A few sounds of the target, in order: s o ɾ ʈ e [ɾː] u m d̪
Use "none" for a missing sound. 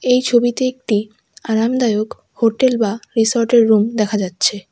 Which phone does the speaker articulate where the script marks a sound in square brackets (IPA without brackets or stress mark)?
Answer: ɾː